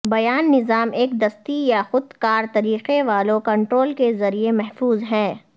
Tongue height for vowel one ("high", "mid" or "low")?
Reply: low